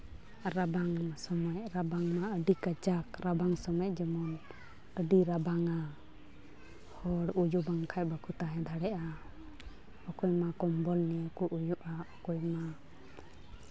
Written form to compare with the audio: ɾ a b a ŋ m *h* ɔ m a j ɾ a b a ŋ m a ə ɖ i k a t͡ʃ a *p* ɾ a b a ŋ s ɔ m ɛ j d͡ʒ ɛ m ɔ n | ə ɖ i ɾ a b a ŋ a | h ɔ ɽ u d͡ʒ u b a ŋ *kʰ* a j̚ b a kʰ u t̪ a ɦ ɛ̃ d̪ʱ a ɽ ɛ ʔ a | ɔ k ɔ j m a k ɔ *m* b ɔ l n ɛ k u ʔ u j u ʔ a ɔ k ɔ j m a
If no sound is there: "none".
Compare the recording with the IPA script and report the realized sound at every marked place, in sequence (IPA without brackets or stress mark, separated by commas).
s, k, kʰ, m